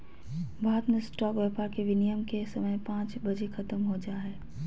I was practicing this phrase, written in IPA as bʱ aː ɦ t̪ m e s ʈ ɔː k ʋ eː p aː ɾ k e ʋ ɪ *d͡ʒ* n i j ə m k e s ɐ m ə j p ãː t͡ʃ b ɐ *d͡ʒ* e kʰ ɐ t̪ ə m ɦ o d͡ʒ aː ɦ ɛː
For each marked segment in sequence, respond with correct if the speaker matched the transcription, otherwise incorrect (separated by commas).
incorrect, correct